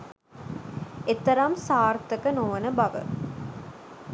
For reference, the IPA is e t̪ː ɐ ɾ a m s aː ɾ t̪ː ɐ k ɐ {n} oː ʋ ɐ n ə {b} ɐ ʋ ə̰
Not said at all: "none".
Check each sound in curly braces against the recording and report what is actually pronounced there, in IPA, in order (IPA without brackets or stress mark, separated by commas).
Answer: n, b